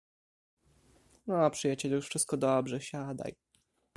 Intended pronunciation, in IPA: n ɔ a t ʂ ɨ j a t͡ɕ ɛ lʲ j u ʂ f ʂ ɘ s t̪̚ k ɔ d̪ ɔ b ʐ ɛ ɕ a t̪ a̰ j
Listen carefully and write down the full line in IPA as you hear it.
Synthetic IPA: n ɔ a p ʂ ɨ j a t͡ɕ ɛ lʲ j u ʂ f ʂ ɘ s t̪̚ k ɔ d̪ ɔ b ʐ ɛ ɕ a d̪ a̰ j